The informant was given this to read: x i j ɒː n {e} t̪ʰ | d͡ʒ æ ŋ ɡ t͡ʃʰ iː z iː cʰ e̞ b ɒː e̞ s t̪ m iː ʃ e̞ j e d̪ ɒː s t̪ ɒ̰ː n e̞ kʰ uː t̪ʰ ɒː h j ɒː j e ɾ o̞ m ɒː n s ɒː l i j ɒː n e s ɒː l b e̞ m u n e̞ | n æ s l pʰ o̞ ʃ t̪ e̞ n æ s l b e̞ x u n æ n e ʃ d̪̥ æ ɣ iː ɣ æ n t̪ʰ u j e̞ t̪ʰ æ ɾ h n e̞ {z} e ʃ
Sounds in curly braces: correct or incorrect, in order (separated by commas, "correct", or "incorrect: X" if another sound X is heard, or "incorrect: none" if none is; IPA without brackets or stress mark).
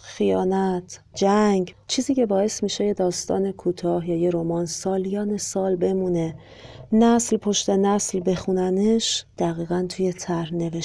incorrect: æ, incorrect: v